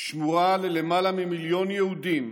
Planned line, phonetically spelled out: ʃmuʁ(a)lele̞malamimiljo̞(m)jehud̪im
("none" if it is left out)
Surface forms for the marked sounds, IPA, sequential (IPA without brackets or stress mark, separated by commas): a, n